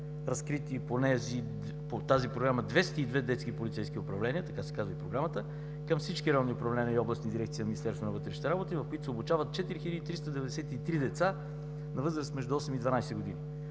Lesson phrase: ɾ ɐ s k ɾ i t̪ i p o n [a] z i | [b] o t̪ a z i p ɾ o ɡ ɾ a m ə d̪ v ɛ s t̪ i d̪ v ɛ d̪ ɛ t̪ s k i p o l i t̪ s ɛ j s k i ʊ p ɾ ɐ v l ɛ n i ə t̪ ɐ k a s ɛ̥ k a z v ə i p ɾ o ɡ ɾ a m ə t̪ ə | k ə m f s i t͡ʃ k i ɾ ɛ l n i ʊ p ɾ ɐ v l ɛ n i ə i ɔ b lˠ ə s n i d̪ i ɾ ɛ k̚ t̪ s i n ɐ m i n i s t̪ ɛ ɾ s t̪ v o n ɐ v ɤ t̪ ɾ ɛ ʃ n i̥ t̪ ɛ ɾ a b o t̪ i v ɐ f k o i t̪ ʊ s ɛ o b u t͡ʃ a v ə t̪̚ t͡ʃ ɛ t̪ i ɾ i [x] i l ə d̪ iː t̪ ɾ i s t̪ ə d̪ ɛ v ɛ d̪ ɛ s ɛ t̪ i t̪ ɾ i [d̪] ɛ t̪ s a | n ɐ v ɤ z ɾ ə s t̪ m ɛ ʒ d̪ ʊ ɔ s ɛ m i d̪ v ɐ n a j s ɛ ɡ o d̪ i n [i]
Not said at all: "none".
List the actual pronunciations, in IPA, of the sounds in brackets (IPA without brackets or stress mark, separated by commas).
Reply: ɛ, p, x, d̪, i